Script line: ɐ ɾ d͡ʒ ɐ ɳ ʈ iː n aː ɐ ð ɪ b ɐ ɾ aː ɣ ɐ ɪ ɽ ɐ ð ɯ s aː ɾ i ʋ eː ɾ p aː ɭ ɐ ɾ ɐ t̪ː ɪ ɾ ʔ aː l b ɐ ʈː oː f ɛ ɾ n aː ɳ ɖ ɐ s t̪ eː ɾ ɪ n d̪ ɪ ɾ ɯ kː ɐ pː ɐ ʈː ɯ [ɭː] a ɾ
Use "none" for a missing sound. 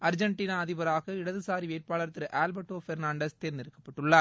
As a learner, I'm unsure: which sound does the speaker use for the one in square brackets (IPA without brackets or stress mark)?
ɭː